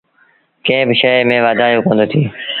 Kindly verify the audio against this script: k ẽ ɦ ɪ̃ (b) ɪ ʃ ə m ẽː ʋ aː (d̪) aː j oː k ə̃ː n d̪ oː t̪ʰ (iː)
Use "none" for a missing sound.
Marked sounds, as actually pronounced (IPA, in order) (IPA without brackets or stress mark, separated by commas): b, d̪, iː